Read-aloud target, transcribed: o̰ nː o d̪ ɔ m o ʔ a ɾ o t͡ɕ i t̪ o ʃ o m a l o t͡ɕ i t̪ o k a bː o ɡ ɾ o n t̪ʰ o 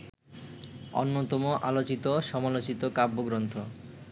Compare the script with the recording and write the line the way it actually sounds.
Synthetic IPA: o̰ nː o t̪ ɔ m o ʔ a l o t͡ɕ i t̪ o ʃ ɔ m a l o t͡ɕ i t̪ o k a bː o ɡ ɾ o n t̪ʰ o